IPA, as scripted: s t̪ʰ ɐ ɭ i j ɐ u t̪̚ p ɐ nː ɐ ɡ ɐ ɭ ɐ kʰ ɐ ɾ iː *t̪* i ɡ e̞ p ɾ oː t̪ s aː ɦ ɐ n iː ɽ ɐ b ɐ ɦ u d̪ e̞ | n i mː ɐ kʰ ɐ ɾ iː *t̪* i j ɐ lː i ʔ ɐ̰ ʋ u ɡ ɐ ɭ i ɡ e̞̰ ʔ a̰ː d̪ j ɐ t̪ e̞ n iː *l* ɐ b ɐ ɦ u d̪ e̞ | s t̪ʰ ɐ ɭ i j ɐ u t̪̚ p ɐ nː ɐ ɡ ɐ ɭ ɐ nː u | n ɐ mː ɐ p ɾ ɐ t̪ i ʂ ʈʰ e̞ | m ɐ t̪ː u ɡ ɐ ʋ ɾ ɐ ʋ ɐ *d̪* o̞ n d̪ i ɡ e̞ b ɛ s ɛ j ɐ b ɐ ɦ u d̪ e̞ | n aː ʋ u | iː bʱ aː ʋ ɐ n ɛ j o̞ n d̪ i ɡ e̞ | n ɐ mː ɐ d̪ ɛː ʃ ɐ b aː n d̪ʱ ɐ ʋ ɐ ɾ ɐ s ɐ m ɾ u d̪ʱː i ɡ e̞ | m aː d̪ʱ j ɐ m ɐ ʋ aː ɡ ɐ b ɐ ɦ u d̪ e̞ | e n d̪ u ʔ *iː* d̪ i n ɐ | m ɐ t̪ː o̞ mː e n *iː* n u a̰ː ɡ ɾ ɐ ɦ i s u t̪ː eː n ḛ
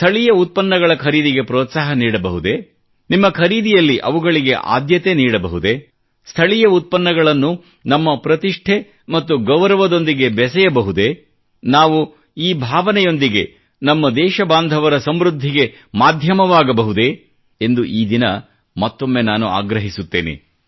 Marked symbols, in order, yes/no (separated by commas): no, no, no, yes, yes, no